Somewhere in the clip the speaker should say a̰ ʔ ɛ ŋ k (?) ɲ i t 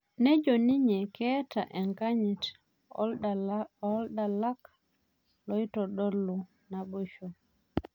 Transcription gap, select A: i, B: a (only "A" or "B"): B